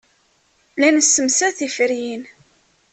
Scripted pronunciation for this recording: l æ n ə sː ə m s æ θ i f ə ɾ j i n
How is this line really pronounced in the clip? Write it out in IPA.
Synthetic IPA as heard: l æ n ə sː ə m s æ θ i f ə ɾ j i n